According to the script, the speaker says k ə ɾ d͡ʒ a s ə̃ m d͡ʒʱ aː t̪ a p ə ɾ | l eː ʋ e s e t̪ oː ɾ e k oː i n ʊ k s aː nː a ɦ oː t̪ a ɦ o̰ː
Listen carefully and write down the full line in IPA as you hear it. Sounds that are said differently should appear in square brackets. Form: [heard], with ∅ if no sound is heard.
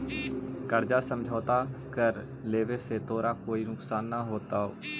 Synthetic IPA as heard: k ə ɾ d͡ʒ a s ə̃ m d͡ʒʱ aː t̪ a [k] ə ɾ | l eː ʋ e s e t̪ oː ɾ [a] k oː i n ʊ k s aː nː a ɦ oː t̪ a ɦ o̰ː